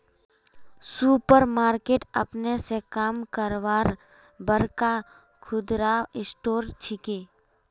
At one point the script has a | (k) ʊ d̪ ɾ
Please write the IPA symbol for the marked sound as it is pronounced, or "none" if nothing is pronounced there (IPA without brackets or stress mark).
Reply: kʰ